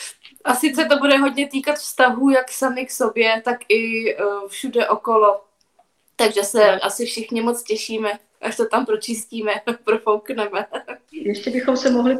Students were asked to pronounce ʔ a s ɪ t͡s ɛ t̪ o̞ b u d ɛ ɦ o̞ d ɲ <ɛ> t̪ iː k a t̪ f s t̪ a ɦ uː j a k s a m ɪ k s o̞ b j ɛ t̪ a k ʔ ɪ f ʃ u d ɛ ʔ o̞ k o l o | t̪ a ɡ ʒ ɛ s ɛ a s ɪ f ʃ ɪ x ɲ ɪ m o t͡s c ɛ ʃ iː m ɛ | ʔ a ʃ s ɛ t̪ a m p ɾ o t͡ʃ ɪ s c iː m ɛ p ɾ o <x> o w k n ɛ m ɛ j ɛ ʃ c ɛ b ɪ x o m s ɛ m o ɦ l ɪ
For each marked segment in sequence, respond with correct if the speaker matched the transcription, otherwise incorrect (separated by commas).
correct, incorrect